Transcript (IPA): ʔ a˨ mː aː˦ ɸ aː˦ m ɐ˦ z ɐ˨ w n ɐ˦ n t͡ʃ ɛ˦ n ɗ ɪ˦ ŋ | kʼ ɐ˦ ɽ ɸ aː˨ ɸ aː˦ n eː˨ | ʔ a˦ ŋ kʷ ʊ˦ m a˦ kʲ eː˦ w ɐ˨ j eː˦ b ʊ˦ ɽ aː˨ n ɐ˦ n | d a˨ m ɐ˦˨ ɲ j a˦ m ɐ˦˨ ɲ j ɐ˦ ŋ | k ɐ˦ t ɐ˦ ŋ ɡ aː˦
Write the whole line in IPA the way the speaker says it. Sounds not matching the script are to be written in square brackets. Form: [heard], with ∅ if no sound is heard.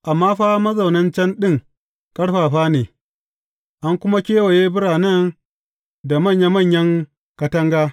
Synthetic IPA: ʔ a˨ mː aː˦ ɸ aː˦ m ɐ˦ z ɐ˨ w n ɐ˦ n t͡ʃ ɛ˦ n ɗ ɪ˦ ŋ | kʼ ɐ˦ ɽ ɸ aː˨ ɸ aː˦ n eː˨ | ʔ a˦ ŋ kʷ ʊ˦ m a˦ kʲ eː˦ w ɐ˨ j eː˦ b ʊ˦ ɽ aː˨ n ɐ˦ n | d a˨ m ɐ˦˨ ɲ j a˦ m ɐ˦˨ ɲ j ɐ˦ ŋ | k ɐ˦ t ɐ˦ ŋ ɡ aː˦